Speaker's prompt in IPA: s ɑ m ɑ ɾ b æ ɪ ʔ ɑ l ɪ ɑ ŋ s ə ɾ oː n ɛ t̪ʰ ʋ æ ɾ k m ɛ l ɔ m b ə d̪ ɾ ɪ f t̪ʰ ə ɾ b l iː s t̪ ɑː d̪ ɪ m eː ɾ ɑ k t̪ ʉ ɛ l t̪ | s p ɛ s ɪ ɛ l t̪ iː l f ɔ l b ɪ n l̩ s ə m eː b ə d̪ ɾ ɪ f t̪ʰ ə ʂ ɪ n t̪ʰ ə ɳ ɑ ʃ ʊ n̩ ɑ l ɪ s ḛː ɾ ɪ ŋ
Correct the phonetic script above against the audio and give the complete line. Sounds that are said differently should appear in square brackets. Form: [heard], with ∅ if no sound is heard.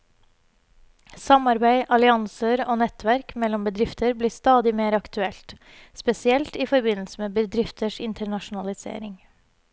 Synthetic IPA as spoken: s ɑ m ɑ ɾ b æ ɪ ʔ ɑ l ɪ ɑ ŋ s ə ɾ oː n ɛ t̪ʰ ʋ æ ɾ k m ɛ l ɔ m b ə d̪ ɾ ɪ f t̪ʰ ə ɾ b l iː s t̪ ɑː d̪ ɪ m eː ɾ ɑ k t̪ ʉ ɛ l t̪ | s p ɛ s ɪ ɛ l t̪ iː [∅] f ɔ [ɾ] b ɪ n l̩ s ə m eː b ə d̪ ɾ ɪ f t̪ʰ ə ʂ ɪ n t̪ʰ ə ɳ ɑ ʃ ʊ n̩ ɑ l ɪ s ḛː ɾ ɪ ŋ